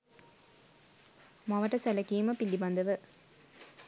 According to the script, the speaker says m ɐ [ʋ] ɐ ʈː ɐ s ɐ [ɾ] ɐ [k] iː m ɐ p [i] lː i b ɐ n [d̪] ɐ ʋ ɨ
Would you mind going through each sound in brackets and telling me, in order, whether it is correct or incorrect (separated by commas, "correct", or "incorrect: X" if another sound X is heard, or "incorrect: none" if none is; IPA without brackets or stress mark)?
correct, incorrect: l, correct, correct, correct